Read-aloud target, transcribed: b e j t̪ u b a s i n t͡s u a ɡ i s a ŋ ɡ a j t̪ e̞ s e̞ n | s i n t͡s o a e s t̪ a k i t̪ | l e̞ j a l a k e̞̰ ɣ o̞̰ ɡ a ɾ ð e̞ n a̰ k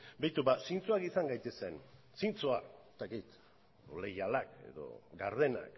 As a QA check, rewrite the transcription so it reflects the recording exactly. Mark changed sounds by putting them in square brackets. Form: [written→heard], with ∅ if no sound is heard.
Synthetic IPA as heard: b e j t̪ u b a s i n t͡s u a [ɡ→k] i s a ŋ ɡ a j t̪ e̞ s e̞ n | s i n t͡s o a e s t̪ a k i t̪ | l e̞ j a l a k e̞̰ [ɣ→ð] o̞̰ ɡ a ɾ ð e̞ n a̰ k